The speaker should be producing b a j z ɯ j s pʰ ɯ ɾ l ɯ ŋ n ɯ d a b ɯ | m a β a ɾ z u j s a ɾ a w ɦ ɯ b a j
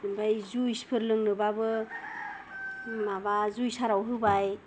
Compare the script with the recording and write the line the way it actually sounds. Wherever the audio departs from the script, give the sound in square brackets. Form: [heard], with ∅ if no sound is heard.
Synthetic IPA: b a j z [u] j s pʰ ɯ ɾ l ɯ ŋ n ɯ [b] a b ɯ | m a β a [∅] z u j s a ɾ a w ɦ ɯ b a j

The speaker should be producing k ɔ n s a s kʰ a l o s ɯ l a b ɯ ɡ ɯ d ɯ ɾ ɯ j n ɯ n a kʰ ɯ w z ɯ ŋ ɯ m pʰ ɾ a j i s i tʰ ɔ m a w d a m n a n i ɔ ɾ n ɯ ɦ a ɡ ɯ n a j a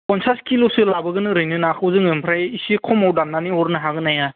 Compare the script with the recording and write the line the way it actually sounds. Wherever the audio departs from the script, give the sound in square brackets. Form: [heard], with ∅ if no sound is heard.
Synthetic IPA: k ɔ n s a s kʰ [i] l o s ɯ l a b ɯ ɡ ɯ [n] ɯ ɾ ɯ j n ɯ n a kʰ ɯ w z ɯ ŋ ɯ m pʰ ɾ a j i s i [kʰ] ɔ m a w d a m n a n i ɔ ɾ n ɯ ɦ a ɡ ɯ n a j a

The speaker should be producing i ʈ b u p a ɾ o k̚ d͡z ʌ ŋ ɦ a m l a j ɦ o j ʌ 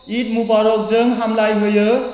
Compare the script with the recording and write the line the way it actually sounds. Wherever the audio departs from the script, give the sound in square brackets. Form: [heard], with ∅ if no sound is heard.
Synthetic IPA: i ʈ [m] u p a ɾ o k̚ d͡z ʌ ŋ ɦ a m l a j ɦ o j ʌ

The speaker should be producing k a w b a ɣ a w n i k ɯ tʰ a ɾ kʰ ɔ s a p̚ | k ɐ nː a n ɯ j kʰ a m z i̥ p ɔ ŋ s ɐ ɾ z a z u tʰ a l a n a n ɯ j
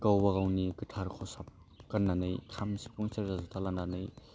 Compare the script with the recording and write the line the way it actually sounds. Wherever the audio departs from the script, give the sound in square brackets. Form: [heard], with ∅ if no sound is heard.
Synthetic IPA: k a w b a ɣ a w n i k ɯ tʰ a ɾ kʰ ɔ s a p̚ | k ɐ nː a n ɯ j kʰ a m [s] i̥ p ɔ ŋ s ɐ ɾ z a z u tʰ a l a n a n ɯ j

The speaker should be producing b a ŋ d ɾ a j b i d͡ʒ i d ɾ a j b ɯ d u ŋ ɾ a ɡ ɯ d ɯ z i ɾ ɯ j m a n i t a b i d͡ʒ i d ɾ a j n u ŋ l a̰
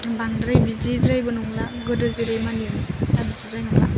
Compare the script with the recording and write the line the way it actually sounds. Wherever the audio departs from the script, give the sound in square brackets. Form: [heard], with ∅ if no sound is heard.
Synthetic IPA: b a ŋ d ɾ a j b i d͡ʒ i d ɾ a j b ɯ [n] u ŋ [l] a ɡ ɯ d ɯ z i ɾ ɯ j m a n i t a b i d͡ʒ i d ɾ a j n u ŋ l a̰

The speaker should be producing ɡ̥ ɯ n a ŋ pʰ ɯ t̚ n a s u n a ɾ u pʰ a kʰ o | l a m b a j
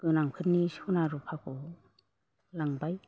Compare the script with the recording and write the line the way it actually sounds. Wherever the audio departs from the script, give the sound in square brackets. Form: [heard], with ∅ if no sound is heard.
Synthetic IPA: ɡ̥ ɯ n a ŋ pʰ ɯ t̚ n [i] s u n a ɾ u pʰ a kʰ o | l a [ŋ] b a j

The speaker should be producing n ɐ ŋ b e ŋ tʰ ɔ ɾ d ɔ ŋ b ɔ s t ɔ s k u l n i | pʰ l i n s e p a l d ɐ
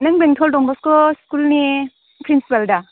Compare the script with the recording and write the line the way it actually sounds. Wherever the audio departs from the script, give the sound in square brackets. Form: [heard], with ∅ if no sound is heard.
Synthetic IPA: n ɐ ŋ b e ŋ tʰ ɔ [l] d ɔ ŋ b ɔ s [k] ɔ s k u l n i | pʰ [ɾ] i n s [i] p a l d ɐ

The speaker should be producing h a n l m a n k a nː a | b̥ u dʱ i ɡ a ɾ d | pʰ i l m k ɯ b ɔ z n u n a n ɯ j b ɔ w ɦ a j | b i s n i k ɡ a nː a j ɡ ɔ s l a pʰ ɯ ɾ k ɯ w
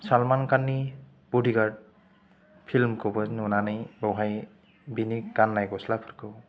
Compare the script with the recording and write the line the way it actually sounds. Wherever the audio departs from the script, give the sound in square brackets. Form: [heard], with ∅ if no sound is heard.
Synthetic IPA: [s] a [∅] l m a n k a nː [i] | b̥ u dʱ i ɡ a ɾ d | pʰ i l m k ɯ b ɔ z n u n a n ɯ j b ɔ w ɦ a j | b i [∅] n i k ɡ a nː a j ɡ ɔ s l a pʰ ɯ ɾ k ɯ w

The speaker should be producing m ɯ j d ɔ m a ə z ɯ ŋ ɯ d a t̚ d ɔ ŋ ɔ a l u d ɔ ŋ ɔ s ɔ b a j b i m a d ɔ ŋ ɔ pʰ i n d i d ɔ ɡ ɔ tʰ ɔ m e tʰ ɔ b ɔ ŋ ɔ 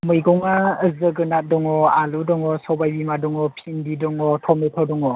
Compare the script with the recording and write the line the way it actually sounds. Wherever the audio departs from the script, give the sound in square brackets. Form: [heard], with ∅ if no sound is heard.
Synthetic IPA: m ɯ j [ɡ] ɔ [ŋ] a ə z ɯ [ɡ] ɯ [n] a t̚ d ɔ ŋ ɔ a l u d ɔ ŋ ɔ s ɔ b a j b i m a d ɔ ŋ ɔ pʰ i n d i d ɔ [ŋ] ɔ tʰ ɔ m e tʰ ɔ [d] ɔ ŋ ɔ

